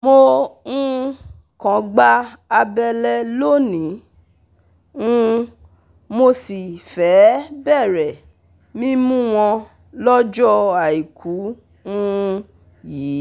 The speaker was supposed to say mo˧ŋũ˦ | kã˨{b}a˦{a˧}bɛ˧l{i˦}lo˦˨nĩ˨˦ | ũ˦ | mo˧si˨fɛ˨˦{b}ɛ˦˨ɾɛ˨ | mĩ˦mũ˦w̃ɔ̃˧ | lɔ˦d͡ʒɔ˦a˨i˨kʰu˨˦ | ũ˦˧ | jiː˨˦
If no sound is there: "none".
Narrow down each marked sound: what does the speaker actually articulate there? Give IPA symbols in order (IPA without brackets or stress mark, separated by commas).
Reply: ɡ͡b, a˧, ɛ˦, b